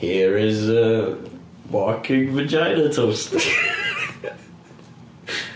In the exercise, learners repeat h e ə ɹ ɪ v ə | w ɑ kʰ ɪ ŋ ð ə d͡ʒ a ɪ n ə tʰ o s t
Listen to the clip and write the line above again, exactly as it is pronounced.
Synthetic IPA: h i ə ɹ ɪ z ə | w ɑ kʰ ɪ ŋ v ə d͡ʒ a ɪ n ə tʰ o s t